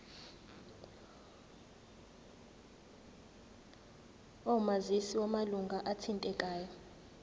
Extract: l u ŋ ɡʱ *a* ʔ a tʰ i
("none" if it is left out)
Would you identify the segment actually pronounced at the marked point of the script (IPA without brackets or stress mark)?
a